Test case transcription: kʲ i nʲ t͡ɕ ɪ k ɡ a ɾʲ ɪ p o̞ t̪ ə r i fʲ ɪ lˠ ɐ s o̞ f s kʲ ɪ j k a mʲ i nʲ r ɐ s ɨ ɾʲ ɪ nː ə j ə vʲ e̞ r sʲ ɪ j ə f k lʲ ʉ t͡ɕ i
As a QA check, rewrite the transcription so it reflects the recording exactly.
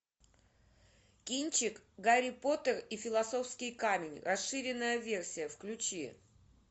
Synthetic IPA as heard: kʲ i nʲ t͡ɕ ɪ k ɡ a ɾʲ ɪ p o̞ t̪ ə r i fʲ ɪ lˠ ɐ s o̞ f s kʲ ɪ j k a mʲ ɪ nʲ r ɐ s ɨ ɾʲ ɪ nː ə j ə vʲ e̞ r sʲ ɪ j ə f k lʲ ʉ t͡ɕ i